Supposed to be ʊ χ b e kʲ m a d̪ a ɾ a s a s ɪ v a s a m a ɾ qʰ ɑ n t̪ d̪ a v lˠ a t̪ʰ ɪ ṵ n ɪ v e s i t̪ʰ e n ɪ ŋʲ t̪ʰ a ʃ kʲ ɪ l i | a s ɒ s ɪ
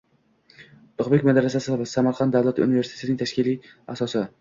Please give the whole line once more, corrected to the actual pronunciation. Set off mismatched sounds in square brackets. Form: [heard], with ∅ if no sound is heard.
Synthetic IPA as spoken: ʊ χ b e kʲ m a d̪ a ɾ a s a s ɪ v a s a m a ɾ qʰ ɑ n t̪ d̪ a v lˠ a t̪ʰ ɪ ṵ n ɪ v e s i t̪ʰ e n ɪ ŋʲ t̪ʰ a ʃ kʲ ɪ l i | a s ɒ s ɪ